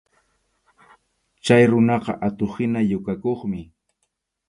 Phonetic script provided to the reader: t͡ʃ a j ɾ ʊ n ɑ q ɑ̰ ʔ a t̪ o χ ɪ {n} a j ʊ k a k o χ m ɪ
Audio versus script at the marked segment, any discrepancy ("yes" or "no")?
no